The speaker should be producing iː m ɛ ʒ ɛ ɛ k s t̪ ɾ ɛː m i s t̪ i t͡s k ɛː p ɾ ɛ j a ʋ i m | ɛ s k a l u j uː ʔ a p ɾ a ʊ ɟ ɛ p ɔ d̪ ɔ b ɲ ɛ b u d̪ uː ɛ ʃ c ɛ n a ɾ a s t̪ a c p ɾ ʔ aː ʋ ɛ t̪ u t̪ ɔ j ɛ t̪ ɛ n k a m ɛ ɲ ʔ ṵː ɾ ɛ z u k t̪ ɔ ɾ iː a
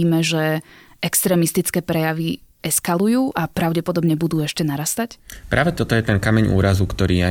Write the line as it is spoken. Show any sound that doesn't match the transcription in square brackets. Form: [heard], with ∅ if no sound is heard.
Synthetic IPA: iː m ɛ ʒ ɛ ɛ k s t̪ ɾ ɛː m i s t̪ i t͡s k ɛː p ɾ ɛ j a ʋ i [∅] | ɛ s k a l u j uː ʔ a p ɾ a ʊ ɟ ɛ p ɔ d̪ ɔ b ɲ ɛ b u d̪ uː ɛ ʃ c ɛ n a ɾ a s t̪ a c p ɾ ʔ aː ʋ ɛ t̪ [ɔ] t̪ ɔ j ɛ t̪ ɛ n k a m ɛ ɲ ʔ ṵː ɾ [a] z u k t̪ ɔ ɾ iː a